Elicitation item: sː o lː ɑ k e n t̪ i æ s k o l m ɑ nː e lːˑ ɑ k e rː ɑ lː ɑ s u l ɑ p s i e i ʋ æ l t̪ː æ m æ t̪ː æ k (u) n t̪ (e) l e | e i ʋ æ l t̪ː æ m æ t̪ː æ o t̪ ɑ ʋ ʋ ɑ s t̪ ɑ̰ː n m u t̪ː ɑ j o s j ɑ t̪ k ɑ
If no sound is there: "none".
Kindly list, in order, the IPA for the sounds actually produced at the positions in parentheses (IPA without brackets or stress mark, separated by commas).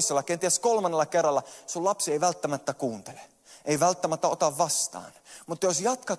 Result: uː, e